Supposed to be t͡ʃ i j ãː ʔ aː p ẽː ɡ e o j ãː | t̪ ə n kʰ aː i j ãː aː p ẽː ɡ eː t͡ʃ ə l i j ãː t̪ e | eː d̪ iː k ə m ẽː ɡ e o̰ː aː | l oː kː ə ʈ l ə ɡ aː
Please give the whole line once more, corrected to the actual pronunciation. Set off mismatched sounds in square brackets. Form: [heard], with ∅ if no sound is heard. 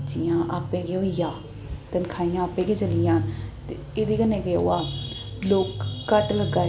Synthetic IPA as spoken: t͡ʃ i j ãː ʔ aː p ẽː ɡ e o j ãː | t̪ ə n kʰ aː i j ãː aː p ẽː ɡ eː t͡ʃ ə l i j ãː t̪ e | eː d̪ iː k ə [n] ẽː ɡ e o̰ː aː | l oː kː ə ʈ l ə ɡ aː